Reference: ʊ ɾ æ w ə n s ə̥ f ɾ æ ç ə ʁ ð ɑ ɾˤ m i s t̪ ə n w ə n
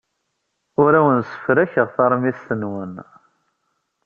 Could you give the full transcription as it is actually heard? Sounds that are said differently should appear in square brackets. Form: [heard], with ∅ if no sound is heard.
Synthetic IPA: ʊ ɾ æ w ə n s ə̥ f ɾ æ ç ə ʁ [θ] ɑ ɾˤ m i s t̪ ə n w ə n